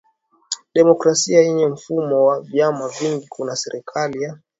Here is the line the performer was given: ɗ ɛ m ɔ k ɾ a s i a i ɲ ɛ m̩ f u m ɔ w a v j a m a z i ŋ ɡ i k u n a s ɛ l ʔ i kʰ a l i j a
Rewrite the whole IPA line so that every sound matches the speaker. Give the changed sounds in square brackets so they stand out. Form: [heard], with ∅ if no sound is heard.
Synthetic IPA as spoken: ɗ ɛ m ɔ k ɾ a s i a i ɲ ɛ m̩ f u m ɔ w a v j a m a [v] i ŋ ɡ i k u n a s ɛ [ɾ] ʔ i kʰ a l i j a